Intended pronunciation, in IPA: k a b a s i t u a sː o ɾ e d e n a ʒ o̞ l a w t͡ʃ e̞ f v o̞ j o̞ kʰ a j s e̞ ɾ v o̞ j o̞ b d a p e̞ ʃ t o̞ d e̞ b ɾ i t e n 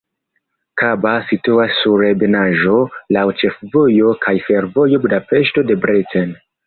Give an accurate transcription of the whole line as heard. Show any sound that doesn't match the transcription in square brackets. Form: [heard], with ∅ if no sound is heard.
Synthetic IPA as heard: k a b a s i t u a sː [u] ɾ e [b] e n a ʒ o̞ l a w t͡ʃ e̞ f v o̞ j o̞ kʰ a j [f] e̞ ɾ v o̞ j o̞ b d a p e̞ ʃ t o̞ d e̞ b ɾ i t e n